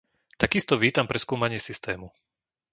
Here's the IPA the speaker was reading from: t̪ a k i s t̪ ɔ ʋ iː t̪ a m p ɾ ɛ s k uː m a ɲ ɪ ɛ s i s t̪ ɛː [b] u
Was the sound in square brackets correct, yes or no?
no